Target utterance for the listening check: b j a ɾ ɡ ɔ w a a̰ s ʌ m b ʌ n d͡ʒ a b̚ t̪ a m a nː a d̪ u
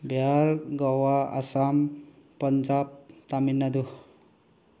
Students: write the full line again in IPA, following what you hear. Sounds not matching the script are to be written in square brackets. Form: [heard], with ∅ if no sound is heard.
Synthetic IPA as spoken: b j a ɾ ɡ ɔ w a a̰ s [a] m [p] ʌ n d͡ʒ a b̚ t̪ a m [i] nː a d̪ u